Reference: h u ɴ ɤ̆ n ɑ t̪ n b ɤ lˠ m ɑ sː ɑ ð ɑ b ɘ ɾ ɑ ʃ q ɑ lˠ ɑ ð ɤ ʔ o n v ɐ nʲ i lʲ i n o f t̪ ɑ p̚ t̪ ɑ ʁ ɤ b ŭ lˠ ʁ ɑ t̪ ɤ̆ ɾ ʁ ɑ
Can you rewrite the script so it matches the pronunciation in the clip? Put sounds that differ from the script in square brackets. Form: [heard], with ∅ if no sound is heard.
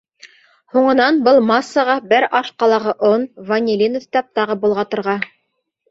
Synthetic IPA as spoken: h u ɴ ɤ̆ n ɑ [∅] n b ɤ lˠ m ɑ sː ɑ [ʁ] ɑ b ɘ ɾ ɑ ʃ q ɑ lˠ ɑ [ʁ] ɤ ʔ o n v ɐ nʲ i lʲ i n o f t̪ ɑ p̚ t̪ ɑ ʁ ɤ b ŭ lˠ ʁ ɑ t̪ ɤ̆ ɾ ʁ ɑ